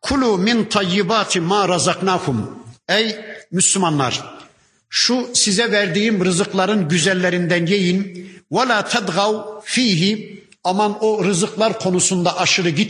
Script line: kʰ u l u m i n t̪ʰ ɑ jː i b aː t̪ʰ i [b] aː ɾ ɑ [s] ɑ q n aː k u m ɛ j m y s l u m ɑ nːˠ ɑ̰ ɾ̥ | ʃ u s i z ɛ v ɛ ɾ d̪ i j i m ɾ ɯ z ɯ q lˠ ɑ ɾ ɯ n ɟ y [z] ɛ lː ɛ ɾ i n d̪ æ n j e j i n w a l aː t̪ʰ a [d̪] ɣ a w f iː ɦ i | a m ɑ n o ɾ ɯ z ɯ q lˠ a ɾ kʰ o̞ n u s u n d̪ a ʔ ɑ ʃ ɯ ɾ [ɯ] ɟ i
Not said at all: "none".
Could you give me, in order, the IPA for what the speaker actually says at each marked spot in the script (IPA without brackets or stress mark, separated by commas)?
m, z, z, d̪, ɯ